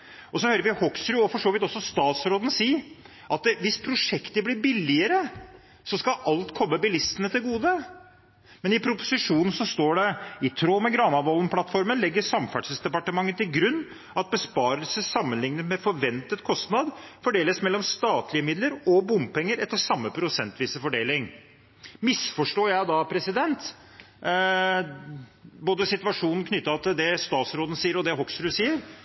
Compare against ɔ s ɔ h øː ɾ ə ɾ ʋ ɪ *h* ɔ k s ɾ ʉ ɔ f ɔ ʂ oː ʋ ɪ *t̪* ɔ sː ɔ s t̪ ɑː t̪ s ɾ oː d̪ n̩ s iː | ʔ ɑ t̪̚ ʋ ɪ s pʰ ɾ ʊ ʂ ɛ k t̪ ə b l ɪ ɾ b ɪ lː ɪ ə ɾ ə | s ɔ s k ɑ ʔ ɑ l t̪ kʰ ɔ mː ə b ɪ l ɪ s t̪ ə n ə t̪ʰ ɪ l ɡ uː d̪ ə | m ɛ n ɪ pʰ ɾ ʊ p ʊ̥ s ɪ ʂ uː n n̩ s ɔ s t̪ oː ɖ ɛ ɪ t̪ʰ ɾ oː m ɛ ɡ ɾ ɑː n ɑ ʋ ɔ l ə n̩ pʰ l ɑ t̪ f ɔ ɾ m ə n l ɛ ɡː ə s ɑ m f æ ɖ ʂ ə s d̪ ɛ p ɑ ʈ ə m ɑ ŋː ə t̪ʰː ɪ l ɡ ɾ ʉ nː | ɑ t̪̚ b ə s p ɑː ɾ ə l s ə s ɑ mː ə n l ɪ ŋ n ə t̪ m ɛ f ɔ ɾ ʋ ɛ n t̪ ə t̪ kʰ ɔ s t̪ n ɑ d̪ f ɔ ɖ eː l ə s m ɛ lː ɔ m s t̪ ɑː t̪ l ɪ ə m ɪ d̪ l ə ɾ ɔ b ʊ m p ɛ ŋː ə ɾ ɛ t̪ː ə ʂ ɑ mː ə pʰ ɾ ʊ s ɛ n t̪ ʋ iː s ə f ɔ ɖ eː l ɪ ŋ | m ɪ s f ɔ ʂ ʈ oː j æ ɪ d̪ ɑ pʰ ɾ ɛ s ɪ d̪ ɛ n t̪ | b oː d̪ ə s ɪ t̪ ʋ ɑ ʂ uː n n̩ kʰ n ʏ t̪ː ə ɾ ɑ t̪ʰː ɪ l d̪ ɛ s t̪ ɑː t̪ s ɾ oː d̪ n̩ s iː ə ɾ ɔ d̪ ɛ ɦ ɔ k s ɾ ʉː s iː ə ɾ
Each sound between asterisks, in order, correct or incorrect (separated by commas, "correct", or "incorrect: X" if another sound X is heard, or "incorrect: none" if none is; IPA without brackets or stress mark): correct, correct